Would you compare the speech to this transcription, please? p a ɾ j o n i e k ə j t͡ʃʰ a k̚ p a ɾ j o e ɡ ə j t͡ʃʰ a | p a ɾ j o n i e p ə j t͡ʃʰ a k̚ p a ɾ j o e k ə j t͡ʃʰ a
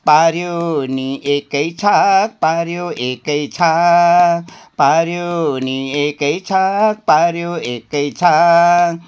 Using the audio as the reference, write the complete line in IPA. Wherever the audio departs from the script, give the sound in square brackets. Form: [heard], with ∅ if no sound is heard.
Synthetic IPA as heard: p a ɾ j o n i e k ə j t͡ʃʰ a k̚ p a ɾ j o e [k] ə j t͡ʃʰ a | p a ɾ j o n i e [k] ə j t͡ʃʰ a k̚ p a ɾ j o e k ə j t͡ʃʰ a